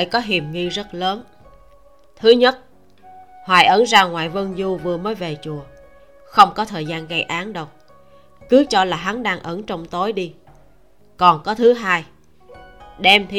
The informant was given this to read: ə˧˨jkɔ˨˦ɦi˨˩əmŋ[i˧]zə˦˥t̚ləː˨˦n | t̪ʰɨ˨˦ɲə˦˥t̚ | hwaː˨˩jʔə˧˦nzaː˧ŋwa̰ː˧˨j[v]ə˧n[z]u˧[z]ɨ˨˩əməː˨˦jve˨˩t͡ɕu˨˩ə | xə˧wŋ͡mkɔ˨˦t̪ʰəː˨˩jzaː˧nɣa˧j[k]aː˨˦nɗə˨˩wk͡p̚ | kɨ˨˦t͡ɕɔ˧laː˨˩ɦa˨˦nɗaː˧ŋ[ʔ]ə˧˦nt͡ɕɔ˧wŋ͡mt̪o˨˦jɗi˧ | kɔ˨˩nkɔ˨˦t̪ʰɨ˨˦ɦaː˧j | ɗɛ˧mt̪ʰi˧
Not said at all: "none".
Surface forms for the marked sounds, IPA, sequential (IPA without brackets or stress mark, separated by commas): i˧, v, z, v, ʔ, ʔ